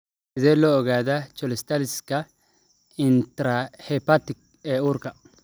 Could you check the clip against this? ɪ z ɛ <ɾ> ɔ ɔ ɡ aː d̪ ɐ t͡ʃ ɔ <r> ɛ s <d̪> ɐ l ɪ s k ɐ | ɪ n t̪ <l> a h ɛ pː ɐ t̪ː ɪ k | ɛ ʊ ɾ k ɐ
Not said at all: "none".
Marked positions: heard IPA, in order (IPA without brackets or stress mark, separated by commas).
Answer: l, l, t̪, ɾ